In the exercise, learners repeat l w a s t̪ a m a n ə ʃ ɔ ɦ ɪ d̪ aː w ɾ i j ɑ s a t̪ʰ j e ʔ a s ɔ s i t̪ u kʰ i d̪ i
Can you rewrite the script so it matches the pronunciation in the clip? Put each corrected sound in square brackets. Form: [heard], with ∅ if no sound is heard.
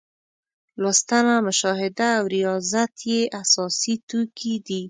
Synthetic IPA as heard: l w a s t̪ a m a [m] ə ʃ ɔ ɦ ɪ d̪ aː w ɾ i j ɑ [z] a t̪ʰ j e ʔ a s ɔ s i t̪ u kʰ i d̪ i

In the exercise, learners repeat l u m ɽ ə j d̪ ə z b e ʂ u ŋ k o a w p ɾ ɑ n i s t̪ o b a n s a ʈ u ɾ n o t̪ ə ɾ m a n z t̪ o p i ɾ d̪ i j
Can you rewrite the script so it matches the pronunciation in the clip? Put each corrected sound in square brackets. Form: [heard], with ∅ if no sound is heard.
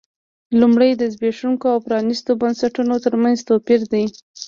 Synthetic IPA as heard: l u m ɽ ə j d̪ ə z b e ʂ u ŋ k o a w p ɾ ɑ n i s t̪ o b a n s a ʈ u [∅] n o t̪ ə ɾ m a n z t̪ o p i ɾ d̪ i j

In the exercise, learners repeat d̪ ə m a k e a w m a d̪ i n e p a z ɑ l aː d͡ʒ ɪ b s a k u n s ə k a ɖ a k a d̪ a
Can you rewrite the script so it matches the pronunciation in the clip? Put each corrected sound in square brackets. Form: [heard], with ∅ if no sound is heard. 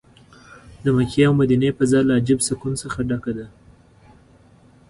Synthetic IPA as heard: d̪ ə m a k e a w m a d̪ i n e p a z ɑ l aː d͡ʒ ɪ b s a k u n s ə [x] a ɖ a k a d̪ a

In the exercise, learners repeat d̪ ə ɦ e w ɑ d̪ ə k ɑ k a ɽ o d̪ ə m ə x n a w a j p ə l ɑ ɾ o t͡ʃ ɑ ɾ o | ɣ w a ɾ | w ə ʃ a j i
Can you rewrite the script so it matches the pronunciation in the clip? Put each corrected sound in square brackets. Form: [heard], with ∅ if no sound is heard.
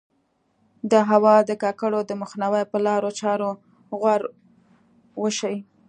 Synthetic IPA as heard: d̪ ə ɦ [a] w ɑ d̪ ə k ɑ k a ɽ o d̪ ə m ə x n a w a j p ə l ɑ ɾ o t͡ʃ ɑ ɾ o | ɣ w a ɾ | w ə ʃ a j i

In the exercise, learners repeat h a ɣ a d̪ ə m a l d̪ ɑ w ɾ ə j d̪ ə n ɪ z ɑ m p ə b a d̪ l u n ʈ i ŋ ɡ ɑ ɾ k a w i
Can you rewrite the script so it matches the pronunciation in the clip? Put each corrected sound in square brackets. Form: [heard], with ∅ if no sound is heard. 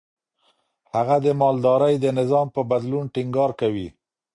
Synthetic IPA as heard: h a ɣ a d̪ ə m [ɑ] l d̪ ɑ [∅] ɾ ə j d̪ ə n ɪ z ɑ m p ə b a d̪ l u n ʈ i ŋ ɡ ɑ ɾ k a w i

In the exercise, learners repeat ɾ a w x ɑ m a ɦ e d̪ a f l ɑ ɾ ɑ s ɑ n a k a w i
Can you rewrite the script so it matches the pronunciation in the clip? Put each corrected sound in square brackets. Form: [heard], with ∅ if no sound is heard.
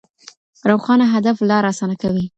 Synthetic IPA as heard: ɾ a w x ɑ [n] a ɦ [a] d̪ a f l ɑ ɾ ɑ s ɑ n a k a w i

